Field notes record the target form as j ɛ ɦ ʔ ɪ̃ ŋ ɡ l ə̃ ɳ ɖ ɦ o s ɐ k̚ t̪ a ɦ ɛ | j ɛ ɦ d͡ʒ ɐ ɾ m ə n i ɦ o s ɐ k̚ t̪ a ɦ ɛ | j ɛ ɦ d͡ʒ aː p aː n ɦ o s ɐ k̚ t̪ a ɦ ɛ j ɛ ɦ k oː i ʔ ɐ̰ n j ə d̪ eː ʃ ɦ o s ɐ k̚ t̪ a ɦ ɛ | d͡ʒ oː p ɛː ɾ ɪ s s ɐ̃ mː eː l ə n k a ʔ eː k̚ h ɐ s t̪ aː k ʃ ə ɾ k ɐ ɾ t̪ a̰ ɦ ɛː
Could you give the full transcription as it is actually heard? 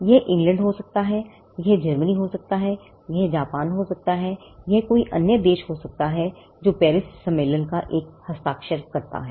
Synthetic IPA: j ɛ ɦ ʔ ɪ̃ ŋ ɡ l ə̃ ɳ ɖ ɦ o s ɐ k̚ t̪ a ɦ ɛ | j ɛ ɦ d͡ʒ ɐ ɾ m ə n i ɦ o s ɐ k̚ t̪ a ɦ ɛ | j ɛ ɦ d͡ʒ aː p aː n ɦ o s ɐ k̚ t̪ a ɦ ɛ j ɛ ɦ k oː i ʔ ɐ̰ n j ə d̪ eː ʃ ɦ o s ɐ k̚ t̪ a ɦ ɛ | d͡ʒ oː p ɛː ɾ ɪ s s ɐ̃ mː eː l ə n k a ʔ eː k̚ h ɐ s t̪ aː k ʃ ə ɾ k ɐ ɾ t̪ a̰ ɦ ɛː